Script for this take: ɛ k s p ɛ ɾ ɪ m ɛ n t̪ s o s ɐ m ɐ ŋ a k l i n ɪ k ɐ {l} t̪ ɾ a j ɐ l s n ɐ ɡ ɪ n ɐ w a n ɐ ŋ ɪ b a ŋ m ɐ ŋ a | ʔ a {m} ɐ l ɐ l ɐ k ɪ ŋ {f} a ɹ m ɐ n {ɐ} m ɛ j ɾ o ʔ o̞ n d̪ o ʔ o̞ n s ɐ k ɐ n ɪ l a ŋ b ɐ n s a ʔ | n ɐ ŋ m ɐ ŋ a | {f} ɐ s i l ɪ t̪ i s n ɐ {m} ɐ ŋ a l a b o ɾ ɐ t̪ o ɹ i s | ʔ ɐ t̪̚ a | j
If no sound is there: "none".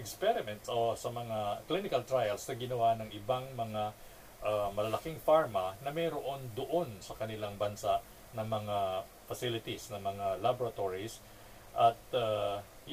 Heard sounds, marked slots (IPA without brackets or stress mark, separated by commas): l, m, f, ɐ, f, m